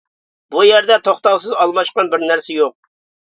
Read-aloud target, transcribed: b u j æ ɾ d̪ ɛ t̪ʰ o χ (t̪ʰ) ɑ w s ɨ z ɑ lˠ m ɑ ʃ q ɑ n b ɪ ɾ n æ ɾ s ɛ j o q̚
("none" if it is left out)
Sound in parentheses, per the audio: t̪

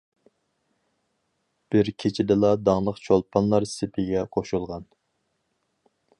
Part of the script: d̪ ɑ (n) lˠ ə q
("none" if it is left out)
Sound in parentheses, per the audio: ŋ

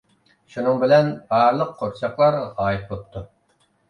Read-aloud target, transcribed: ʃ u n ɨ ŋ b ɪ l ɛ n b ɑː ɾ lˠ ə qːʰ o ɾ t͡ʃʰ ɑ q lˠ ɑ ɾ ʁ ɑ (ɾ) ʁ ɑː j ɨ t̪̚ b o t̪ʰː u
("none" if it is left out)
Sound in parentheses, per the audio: none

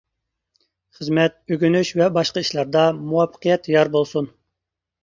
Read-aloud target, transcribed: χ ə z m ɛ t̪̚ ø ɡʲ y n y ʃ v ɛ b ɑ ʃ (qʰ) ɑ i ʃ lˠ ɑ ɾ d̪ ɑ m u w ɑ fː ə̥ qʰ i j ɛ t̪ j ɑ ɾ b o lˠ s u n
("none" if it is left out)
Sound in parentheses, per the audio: q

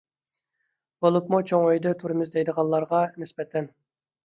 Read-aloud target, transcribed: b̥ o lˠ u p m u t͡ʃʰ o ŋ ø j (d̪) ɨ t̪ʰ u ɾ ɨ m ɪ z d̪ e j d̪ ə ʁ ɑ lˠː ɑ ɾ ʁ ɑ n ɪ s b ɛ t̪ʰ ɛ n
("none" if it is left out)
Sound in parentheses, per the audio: d̪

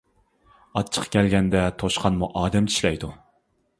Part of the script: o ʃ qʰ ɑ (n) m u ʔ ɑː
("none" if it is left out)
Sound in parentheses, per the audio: n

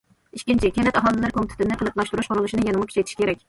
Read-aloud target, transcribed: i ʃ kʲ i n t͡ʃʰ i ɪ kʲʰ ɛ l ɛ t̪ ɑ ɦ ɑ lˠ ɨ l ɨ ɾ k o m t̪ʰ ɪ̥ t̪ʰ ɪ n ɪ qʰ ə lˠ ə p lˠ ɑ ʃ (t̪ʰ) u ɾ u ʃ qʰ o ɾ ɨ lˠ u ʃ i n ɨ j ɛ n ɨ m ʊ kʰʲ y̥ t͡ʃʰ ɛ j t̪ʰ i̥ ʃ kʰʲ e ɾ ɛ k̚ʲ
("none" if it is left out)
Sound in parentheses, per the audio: t̪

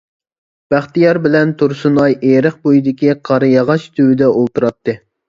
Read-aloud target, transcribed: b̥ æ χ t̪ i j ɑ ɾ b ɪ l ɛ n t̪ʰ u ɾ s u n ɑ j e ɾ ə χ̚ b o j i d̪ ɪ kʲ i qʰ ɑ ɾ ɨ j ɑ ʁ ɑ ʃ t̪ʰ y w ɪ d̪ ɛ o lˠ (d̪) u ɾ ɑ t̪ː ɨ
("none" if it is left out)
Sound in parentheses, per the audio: t̪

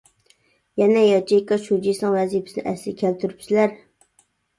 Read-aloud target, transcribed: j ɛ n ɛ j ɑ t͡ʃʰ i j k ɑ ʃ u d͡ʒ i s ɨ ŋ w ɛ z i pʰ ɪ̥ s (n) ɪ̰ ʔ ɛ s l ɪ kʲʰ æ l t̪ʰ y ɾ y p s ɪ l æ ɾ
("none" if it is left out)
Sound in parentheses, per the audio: n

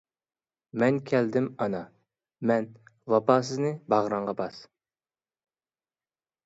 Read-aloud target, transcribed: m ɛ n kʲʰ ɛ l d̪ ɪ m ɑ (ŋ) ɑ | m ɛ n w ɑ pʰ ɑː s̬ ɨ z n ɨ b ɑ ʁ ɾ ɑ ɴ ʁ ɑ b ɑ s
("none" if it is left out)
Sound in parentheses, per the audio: n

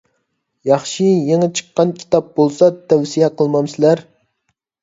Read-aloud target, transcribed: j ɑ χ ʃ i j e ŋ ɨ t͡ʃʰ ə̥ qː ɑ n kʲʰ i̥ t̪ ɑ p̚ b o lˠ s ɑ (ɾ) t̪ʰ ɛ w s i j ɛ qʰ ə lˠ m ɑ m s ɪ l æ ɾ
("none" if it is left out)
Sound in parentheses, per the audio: none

